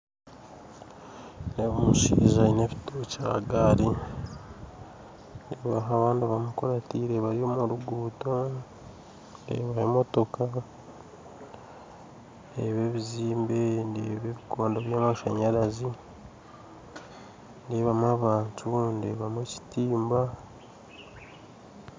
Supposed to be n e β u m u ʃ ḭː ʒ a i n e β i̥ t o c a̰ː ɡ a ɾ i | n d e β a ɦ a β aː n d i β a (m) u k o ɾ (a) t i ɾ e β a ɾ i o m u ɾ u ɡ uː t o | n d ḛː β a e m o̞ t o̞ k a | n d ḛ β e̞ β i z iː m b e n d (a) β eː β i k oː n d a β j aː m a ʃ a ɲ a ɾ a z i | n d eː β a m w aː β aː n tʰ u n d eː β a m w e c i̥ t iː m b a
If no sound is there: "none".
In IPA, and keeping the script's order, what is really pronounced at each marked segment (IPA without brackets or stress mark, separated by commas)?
m, a, e